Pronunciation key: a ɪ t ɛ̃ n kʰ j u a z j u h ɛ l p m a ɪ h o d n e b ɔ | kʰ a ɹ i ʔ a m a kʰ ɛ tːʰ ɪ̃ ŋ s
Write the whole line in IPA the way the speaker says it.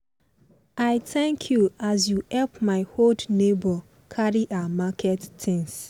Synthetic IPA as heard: a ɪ t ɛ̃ ŋ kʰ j u a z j u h ɛ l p m a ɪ h o d n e b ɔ | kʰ a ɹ i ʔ a m a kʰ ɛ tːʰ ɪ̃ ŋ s